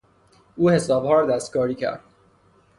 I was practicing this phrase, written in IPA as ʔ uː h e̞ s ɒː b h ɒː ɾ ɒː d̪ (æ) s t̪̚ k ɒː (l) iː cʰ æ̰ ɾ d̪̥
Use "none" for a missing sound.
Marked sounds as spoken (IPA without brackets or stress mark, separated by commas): æ, ɾ